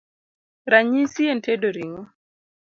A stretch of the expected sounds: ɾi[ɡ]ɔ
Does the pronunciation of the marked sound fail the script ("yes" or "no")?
yes